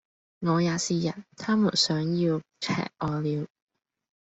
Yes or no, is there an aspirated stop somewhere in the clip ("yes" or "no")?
yes